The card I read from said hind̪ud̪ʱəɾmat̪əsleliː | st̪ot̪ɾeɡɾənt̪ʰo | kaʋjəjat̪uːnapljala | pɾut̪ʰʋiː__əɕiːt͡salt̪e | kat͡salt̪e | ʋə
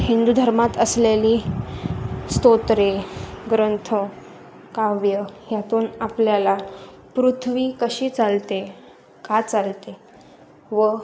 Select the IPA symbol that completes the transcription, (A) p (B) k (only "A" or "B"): B